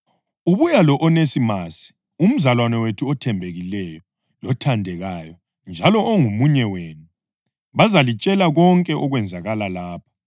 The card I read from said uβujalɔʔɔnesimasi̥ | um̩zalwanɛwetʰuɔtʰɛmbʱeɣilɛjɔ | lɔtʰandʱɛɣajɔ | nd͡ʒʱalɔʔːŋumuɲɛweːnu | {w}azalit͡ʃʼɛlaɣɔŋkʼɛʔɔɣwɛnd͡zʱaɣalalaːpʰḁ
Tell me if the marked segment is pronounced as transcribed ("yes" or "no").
no